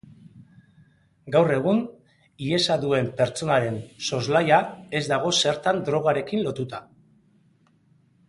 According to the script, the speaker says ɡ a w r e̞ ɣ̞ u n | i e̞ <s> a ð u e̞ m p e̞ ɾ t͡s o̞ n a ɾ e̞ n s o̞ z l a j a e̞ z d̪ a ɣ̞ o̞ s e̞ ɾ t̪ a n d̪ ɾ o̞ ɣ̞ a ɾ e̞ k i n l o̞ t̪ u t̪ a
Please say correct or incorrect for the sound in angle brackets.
correct